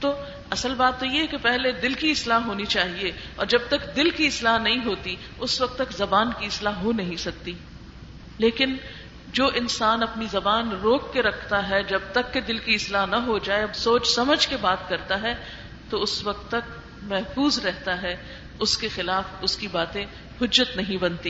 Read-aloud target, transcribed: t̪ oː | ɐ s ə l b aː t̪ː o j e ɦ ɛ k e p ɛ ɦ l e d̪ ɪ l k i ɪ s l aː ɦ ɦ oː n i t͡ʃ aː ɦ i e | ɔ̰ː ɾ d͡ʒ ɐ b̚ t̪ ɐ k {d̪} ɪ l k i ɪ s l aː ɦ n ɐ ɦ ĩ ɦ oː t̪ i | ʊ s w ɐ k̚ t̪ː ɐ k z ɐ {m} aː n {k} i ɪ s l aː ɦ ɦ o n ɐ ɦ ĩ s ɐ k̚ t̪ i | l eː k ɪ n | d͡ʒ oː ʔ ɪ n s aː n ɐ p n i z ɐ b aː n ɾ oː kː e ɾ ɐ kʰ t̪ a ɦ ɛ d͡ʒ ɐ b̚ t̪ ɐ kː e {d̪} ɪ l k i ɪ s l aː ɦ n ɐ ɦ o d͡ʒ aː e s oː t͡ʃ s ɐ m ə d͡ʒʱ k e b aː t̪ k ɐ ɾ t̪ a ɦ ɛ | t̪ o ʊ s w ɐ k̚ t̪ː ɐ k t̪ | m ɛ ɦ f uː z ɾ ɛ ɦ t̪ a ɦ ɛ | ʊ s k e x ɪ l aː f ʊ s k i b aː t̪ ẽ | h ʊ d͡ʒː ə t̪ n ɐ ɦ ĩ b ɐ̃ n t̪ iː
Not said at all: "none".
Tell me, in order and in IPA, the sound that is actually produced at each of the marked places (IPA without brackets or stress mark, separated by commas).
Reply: d̪, b, k, d̪